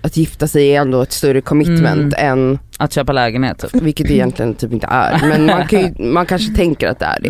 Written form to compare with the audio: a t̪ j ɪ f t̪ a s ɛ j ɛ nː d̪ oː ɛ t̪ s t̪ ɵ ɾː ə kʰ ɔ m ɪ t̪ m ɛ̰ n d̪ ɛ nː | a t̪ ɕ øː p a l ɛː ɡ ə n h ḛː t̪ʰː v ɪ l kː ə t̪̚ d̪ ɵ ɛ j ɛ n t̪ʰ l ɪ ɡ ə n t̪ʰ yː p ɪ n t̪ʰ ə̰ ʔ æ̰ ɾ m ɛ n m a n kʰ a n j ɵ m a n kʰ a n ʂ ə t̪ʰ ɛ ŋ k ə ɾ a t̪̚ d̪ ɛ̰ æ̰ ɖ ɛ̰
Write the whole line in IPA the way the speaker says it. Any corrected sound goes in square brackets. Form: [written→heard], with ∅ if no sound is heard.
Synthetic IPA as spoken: a t̪ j ɪ f t̪ a s ɛ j ɛ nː d̪ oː ɛ t̪ s t̪ ɵ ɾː ə kʰ ɔ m ɪ t̪ m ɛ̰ n [d̪→t̪] ɛ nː | a t̪ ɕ øː p a l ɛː ɡ ə n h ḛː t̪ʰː v ɪ l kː ə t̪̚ d̪ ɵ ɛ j ɛ n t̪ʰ l ɪ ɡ ə n t̪ʰ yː p ɪ n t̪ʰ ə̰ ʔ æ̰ ɾ m ɛ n m a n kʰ a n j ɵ m a n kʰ a n ʂ ə t̪ʰ ɛ ŋ k ə ɾ a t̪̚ d̪ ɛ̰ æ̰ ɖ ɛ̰